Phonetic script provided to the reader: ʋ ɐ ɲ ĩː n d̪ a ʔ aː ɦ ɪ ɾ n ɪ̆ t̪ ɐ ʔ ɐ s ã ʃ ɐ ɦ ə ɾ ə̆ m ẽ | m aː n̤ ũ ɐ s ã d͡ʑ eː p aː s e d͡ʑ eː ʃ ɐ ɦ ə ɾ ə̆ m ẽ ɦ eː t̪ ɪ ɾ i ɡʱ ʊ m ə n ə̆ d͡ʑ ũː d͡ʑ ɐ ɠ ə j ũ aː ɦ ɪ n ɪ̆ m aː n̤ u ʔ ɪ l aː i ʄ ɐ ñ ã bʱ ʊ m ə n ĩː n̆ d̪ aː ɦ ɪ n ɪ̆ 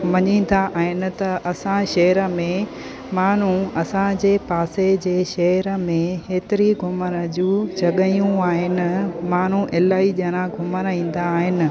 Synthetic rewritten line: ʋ ɐ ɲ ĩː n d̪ a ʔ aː ɦ ɪ n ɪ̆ t̪ ɐ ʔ ɐ s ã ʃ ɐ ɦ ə ɾ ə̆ m ẽ | m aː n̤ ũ ɐ s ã d͡ʑ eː p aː s e d͡ʑ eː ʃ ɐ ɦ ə ɾ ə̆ m ẽ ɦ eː t̪ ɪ ɾ i ɡʱ ʊ m ə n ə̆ d͡ʑ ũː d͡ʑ ɐ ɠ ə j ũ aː ɦ ɪ n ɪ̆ m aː n̤ u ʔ ɪ l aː i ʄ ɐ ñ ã ɡʱ ʊ m ə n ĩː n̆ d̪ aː ɦ ɪ n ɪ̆